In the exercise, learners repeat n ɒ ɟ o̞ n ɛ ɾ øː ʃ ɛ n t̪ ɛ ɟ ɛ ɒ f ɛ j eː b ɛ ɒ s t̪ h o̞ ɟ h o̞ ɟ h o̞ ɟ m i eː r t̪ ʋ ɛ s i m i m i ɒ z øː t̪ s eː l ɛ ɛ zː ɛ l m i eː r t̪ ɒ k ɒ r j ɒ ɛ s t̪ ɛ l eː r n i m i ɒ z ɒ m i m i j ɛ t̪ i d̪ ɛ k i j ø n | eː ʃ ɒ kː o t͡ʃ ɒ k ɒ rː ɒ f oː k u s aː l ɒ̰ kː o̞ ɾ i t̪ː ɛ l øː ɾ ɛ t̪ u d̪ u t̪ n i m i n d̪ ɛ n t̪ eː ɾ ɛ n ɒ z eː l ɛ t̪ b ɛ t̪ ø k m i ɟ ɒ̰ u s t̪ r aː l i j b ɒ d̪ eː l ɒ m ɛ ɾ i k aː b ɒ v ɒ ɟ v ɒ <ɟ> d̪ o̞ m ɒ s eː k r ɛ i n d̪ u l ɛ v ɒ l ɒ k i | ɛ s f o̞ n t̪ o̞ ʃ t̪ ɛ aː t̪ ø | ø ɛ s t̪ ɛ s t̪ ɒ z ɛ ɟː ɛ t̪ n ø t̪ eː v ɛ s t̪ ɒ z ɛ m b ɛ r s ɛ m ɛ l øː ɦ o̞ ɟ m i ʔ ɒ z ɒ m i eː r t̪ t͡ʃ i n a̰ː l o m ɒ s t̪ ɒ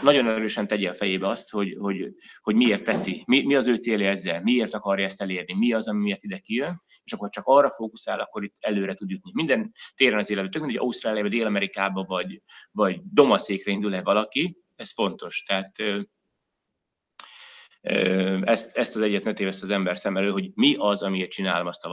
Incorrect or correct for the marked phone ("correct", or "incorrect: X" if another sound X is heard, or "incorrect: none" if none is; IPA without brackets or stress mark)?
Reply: correct